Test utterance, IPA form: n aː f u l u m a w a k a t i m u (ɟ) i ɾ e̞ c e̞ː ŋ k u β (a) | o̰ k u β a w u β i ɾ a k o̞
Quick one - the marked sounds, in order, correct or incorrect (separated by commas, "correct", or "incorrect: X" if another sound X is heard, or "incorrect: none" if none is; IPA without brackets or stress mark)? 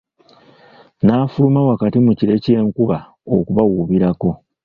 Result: incorrect: c, correct